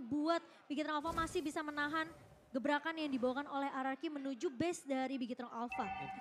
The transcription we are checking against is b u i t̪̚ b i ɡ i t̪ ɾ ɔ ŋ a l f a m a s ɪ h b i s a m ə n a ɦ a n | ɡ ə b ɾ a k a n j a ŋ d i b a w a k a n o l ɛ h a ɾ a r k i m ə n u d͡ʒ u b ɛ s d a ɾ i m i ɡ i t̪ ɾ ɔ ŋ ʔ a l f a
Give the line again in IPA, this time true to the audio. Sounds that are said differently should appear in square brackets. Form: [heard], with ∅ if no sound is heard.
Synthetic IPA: b u [a] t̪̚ b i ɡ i t̪ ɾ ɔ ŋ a l f a m a s ɪ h b i s a m ə n a ɦ a n | ɡ ə b ɾ a k a n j a ŋ d i b a w a k a n o l ɛ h a ɾ a r k i m ə n u d͡ʒ u b ɛ s d a ɾ i [b] i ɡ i t̪ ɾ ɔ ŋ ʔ a l f a